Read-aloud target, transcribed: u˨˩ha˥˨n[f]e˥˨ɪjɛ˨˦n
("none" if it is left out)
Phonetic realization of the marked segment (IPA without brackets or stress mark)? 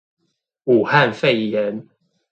f